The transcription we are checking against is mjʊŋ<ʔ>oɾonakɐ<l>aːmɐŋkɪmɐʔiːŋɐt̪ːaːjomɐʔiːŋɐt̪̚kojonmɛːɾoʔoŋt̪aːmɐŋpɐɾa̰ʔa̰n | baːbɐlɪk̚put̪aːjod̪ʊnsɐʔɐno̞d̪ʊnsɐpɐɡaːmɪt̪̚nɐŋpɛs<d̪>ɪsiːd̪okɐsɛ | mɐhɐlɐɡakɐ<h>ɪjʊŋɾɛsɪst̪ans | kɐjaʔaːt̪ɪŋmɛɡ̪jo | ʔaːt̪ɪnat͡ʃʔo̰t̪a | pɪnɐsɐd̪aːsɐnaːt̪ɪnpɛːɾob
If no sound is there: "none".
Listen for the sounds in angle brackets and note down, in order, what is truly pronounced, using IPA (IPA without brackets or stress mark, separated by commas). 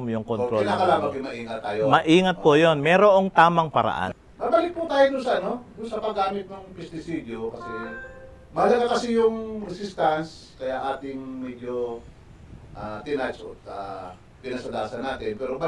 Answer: k, l, t̪, s